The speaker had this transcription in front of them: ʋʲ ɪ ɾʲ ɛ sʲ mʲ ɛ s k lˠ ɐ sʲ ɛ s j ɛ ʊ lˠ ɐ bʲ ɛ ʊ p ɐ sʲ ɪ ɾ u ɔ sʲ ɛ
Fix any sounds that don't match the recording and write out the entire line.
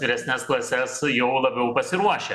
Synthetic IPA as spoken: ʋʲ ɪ ɾʲ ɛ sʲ nʲ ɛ s k lˠ ɐ sʲ ɛ s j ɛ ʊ lˠ ɐ bʲ ɛ ʊ p ɐ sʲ ɪ ɾ u ɔ ʃʲ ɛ